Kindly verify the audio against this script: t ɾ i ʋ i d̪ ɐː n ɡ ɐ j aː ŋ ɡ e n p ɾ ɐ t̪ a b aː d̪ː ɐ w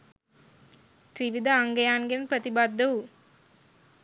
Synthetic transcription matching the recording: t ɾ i ʋ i d̪ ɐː ŋ ɡ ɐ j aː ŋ ɡ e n p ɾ ɐ t̪ i b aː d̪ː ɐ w